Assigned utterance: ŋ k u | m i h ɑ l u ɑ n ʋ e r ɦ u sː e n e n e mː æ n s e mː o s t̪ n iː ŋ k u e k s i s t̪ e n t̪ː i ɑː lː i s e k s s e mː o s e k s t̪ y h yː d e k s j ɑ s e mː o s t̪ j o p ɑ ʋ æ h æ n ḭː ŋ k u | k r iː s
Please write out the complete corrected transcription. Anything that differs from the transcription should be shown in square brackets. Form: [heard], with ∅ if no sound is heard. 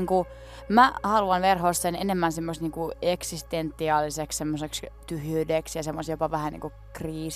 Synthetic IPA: ŋ k u | m [æ] h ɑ l u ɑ n ʋ e r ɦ [o] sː e n e n e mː æ n s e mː o s t̪ n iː ŋ k u e k s i s t̪ e n t̪ː i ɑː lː i s e k s s e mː o s e k s t̪ y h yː d e k s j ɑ s e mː o s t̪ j o p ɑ ʋ æ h æ n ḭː ŋ k u | k r iː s